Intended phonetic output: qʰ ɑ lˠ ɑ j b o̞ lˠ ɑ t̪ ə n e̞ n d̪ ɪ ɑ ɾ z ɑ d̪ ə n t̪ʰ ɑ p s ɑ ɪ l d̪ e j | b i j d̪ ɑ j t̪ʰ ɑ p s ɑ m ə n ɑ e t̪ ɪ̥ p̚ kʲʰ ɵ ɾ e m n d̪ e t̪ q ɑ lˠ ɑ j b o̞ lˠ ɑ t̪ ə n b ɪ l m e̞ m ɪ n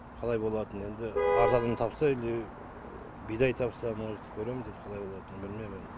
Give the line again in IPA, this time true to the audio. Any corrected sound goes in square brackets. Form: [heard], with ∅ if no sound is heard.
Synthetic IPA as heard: qʰ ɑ lˠ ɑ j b o̞ lˠ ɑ t̪ ə n e̞ n d̪ ɪ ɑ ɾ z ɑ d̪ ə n t̪ʰ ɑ p s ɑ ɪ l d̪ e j | b i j d̪ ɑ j t̪ʰ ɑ p s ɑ m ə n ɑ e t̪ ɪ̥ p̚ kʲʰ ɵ ɾ e m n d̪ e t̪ [qʰ] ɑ lˠ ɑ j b o̞ lˠ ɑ t̪ ə n b ɪ l m e̞ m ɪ n